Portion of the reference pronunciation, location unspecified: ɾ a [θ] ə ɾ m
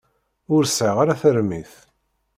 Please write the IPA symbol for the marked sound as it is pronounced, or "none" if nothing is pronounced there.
θ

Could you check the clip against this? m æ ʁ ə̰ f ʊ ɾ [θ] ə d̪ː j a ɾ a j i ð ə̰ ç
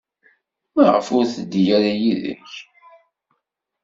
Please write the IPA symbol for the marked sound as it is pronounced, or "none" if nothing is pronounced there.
θ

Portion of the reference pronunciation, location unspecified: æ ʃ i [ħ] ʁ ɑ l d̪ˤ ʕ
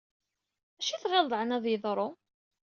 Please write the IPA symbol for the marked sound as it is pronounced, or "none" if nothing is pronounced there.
θ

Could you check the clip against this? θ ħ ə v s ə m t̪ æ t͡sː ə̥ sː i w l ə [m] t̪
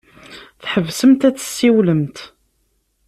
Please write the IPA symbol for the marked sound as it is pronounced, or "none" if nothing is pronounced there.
m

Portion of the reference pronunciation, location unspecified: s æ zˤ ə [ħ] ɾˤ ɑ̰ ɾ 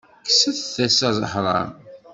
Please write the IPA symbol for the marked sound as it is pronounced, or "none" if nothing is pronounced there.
ħ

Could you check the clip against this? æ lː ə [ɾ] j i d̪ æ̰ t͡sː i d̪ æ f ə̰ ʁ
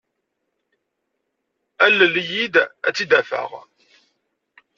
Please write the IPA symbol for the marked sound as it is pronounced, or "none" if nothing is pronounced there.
l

